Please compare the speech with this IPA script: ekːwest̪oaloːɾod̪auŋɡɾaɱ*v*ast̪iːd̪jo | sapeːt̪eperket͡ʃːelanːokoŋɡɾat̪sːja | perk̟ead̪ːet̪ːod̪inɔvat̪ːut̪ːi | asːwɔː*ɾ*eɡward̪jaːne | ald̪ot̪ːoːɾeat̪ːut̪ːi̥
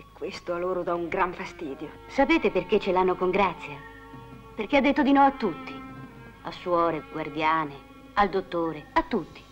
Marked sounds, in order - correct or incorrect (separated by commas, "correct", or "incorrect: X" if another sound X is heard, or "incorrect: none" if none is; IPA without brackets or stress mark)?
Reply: incorrect: f, correct